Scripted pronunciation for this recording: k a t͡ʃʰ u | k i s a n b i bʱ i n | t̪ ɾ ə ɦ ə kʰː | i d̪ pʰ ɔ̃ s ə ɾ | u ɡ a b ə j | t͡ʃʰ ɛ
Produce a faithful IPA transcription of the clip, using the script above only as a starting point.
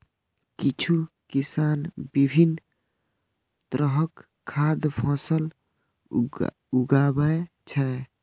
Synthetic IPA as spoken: k i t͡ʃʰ u | k i s a n b i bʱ i n | t̪ ɾ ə ɦ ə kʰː | a d̪ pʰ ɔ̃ s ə l | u ɡ a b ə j | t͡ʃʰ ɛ